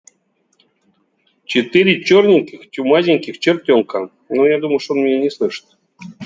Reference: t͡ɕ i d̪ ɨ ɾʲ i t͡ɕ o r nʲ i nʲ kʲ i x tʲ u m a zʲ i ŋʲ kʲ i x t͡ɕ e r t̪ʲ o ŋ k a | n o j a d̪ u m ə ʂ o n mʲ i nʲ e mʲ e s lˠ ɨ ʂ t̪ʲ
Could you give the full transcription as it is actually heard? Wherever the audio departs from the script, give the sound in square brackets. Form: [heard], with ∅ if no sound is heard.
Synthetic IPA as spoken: t͡ɕ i [t̪] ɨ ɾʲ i t͡ɕ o r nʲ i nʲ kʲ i x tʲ u m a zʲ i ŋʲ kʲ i x t͡ɕ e r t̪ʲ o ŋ k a | n o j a d̪ u m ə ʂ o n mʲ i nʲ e [nʲ] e s lˠ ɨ ʂ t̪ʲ